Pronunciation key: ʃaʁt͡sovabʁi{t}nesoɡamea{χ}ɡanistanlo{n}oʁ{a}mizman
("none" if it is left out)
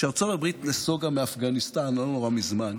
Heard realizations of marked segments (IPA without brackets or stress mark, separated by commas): t, f, n, a